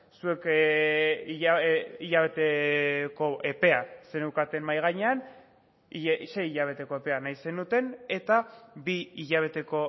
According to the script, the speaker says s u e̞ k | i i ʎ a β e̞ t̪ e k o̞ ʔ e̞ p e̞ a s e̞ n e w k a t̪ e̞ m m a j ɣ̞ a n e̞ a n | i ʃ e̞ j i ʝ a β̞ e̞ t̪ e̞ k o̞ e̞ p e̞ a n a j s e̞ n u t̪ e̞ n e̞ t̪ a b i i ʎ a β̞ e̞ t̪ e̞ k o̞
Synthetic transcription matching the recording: s u e̞ k | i i ʎ a β e̞ t̪ e k o̞ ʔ e̞ p e̞ a s e̞ n e w k a t̪ e̞ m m a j ɣ̞ a ɲ e̞ a n | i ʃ e̞ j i ʎ a β̞ e̞ t̪ e̞ k o̞ e̞ p e̞ a n a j s e̞ n u t̪ e̞ n e̞ t̪ a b i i ʎ a β̞ e̞ t̪ e̞ k o̞

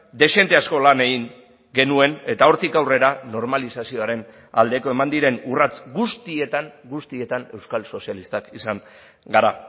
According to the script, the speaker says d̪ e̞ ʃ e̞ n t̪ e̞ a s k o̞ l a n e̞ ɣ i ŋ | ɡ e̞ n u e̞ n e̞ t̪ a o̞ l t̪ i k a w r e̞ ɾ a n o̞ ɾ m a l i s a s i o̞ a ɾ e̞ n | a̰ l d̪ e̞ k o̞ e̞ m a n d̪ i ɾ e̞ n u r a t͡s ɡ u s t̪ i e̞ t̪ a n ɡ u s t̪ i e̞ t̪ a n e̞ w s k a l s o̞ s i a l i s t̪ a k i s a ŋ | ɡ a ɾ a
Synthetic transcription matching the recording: d̪ e̞ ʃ e̞ n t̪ e̞ a s k o̞ l a n e̞ ɣ i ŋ | ɡ e̞ n u e̞ n e̞ t̪ a o̞ ɾ t̪ i k a w r e̞ ɾ a n o̞ ɾ m a l i s a s i o̞ a ɾ e̞ n | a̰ l d̪ e̞ k o̞ e̞ m a n d̪ i ɾ e̞ n u r a t͡s ɡ u s t̪ i e̞ t̪ a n ɡ u s t̪ i e̞ t̪ a n e̞ w s k a l s o̞ s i a l i s t̪ a k i s a ŋ | ɡ a ɾ a

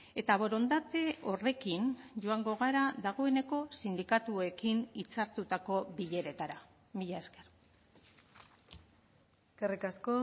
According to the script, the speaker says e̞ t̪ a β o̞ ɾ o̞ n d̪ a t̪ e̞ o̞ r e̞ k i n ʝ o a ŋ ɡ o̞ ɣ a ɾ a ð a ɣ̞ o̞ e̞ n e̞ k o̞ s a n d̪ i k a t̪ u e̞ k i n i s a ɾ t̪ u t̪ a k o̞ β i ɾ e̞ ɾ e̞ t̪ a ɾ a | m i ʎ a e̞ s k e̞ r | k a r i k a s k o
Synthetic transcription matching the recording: e̞ t̪ a β o̞ ɾ o̞ n d̪ a t̪ e̞ o̞ r e̞ k i n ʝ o a ŋ ɡ o̞ ɣ a ɾ a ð a ɣ̞ o̞ e̞ n e̞ k o̞ s i n d̪ i k a t̪ u e̞ k i n i t͡s a ɾ t̪ u t̪ a k o̞ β i ʎ e̞ ɾ e̞ t̪ a ɾ a | m i ʎ a e̞ s k e̞ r | k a r i k a s k o

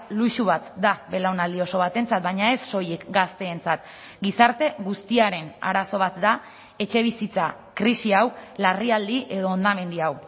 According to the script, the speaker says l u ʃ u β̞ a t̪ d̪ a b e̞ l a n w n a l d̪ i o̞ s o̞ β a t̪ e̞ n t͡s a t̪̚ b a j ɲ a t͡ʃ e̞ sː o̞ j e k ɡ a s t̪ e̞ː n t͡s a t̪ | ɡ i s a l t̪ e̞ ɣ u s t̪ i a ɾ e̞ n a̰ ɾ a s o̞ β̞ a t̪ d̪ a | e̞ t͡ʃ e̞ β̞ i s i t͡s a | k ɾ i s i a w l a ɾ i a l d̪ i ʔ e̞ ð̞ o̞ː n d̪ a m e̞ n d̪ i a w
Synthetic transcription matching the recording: l u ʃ u β̞ a t̪ d̪ a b e̞ l a w n a l d̪ i o̞ s o̞ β a t̪ e̞ n t͡s a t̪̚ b a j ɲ a e̞ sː o̞ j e k ɡ a s t̪ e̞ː n t͡s a t̪ | ɡ i s a ɾ t̪ e̞ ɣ u s t̪ i a ɾ e̞ n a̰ ɾ a s o̞ β̞ a t̪ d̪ a | e̞ t͡ʃ e̞ β̞ i s i t͡s a | k ɾ i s i a w l a r i a l d̪ i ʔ e̞ ð̞ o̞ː n d̪ a m e̞ n d̪ i a w

